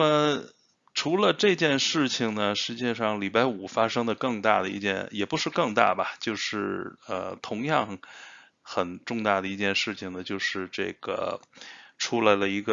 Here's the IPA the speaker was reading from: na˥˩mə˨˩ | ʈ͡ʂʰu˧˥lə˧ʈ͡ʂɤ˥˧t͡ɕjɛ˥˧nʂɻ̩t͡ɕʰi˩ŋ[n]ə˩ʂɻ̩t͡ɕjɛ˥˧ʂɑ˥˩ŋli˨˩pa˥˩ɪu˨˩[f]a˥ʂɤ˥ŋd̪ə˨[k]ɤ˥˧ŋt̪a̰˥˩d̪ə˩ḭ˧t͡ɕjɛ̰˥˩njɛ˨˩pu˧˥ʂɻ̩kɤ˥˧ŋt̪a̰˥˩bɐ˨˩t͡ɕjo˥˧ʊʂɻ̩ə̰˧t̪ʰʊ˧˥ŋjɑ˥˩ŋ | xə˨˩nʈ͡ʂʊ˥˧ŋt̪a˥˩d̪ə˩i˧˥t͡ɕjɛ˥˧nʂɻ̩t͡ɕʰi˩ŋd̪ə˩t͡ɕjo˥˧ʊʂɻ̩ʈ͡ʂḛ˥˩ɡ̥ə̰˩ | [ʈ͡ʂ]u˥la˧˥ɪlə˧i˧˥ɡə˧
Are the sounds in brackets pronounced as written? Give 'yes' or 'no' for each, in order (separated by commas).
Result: yes, yes, yes, no